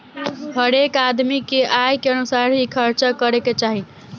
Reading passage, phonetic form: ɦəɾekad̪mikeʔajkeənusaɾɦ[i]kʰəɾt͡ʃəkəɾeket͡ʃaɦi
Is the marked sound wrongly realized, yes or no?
no